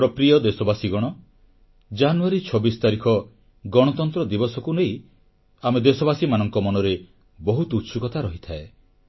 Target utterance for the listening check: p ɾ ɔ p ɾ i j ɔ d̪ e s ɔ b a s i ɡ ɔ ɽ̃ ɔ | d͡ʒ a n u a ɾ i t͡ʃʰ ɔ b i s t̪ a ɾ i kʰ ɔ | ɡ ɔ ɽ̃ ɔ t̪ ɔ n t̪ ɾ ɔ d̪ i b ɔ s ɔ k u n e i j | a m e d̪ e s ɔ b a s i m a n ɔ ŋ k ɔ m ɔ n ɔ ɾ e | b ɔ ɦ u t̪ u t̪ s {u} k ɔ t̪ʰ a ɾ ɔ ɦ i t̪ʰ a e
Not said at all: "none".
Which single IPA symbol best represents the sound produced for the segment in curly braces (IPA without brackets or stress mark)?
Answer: u